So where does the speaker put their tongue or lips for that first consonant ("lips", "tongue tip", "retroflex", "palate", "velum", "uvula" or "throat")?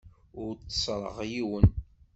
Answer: tongue tip